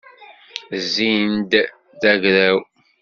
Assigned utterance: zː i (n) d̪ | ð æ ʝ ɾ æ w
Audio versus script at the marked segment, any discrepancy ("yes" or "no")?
no